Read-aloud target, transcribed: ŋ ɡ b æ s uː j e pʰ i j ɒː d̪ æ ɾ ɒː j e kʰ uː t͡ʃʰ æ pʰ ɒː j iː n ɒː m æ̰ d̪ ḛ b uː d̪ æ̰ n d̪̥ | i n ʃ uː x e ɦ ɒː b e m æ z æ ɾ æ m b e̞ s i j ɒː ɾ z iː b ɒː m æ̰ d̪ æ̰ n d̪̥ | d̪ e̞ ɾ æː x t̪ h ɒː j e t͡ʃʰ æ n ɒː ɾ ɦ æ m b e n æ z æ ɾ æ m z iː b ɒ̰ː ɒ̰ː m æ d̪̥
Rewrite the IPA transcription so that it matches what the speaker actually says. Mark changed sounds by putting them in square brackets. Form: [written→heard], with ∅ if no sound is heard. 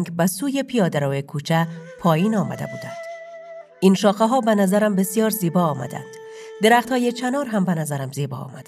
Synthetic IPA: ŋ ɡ b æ s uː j e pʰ i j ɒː d̪ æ ɾ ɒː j e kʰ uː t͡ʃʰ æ pʰ ɒː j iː n ɒː m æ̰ d̪ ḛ b uː d̪ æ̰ n d̪̥ | i n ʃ [uː→ɒː] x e ɦ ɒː b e [m→n] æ z æ ɾ æ m b e̞ s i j ɒː ɾ z iː b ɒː m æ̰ d̪ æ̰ n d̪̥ | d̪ e̞ ɾ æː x t̪ h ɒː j e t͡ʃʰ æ n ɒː ɾ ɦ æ m b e n æ z æ ɾ æ m z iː b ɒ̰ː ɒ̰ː m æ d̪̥